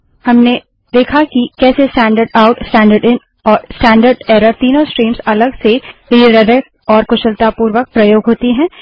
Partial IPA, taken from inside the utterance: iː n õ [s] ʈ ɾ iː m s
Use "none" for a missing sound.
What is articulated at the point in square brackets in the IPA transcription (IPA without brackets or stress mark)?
s